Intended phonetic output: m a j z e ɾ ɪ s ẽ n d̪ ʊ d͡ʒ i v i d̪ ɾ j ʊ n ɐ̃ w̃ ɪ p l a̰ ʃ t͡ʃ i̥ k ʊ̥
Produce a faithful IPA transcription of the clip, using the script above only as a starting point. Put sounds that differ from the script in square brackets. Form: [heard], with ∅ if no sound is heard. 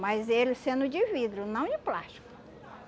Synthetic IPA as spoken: m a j z e [l] ɪ s ẽ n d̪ ʊ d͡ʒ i v i d̪ ɾ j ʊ n ɐ̃ w̃ ɪ p l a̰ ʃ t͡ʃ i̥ k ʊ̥